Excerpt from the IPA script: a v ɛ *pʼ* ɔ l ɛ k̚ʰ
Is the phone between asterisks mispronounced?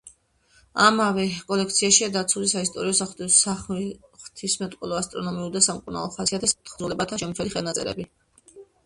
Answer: yes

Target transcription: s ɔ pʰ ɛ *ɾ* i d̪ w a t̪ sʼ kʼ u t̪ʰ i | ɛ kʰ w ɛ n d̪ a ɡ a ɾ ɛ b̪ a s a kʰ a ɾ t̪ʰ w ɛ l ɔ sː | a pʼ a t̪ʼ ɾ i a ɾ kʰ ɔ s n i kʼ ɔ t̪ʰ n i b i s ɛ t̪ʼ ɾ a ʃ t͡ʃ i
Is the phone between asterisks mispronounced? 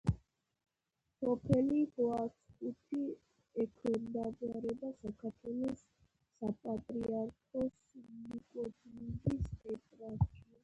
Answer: yes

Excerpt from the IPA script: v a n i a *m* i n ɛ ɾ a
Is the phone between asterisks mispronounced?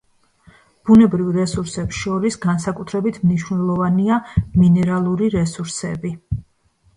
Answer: no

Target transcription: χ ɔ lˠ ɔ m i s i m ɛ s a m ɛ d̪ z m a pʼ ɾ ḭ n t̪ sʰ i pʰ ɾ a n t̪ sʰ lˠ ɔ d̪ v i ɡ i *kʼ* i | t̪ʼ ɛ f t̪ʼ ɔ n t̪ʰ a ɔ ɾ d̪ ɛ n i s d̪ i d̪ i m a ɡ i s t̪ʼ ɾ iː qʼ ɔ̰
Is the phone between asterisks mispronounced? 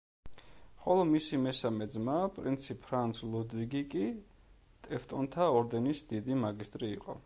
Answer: no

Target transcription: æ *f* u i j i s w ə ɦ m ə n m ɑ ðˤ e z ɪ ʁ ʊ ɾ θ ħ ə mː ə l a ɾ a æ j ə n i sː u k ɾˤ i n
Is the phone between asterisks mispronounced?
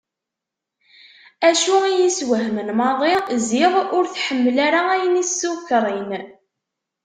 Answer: yes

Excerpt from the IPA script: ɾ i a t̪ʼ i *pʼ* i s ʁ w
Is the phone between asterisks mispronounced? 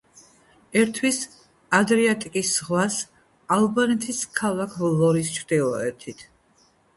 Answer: yes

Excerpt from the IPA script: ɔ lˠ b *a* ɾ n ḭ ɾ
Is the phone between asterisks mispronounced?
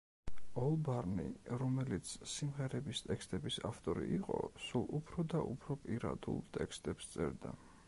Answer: no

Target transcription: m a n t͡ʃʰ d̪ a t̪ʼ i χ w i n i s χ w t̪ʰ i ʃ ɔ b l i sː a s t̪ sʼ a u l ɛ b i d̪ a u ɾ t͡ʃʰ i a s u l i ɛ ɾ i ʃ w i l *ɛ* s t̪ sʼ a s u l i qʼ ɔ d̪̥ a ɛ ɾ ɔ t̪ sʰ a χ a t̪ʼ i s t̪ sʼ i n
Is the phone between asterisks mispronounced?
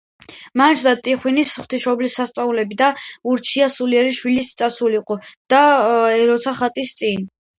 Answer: yes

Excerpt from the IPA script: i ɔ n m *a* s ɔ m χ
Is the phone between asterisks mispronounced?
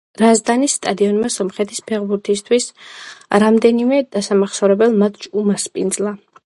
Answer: no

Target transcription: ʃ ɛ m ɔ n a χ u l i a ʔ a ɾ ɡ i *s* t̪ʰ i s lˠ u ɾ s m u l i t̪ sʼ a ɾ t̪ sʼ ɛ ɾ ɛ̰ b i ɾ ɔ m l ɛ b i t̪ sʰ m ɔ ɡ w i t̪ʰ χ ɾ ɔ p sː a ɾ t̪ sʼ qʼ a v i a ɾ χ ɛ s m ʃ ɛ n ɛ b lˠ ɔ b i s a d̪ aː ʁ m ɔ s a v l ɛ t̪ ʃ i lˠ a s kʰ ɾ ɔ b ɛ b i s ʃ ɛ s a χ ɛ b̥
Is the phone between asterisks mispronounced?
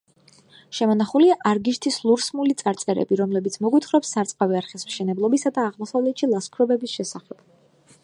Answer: yes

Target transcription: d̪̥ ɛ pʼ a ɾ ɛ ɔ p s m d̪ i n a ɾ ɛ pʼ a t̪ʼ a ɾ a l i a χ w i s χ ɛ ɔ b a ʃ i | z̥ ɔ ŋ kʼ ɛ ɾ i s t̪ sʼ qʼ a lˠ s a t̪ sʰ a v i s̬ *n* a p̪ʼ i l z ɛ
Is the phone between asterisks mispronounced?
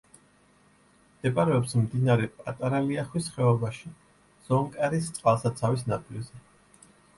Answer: no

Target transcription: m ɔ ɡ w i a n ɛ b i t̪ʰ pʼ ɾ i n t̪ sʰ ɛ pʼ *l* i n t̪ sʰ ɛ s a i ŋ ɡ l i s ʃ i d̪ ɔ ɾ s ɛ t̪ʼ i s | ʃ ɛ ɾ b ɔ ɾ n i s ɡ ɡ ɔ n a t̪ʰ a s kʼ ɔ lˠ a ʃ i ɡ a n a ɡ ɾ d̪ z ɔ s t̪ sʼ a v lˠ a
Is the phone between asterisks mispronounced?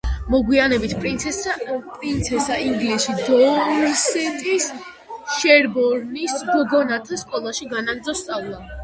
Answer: yes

